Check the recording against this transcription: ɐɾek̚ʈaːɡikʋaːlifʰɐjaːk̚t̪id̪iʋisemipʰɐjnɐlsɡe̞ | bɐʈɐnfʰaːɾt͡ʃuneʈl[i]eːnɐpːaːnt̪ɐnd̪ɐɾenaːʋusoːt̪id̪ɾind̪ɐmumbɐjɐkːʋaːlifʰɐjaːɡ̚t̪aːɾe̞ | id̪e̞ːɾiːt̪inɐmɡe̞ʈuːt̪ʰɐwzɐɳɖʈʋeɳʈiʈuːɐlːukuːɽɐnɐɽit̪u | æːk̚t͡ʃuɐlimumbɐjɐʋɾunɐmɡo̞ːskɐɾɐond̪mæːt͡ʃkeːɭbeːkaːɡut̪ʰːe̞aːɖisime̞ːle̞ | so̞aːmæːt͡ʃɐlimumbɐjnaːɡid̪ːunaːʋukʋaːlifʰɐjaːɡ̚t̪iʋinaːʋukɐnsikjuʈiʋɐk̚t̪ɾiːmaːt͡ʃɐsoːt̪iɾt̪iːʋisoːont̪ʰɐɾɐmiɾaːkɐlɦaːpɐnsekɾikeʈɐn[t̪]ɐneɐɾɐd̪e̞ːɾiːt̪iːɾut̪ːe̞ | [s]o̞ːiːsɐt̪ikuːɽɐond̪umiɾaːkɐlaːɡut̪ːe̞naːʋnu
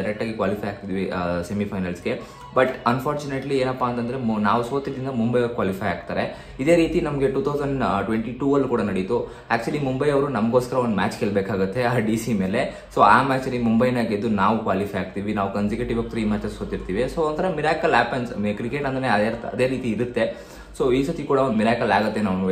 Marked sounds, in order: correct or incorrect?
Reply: correct, incorrect: d̪, correct

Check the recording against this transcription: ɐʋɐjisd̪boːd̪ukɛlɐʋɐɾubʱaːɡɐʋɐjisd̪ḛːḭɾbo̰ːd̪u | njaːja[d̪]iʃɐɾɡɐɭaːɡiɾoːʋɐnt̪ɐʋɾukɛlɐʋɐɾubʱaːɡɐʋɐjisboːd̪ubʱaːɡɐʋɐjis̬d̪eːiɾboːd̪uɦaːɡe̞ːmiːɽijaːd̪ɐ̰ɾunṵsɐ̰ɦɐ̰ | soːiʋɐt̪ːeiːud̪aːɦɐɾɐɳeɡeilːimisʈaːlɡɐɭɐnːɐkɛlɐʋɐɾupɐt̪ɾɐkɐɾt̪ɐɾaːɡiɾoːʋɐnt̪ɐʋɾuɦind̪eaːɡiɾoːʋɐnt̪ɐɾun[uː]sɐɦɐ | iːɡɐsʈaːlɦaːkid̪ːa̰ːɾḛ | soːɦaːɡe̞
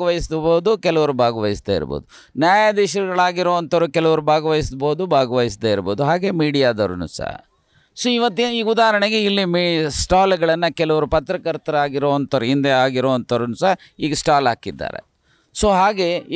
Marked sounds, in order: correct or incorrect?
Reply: correct, incorrect: u

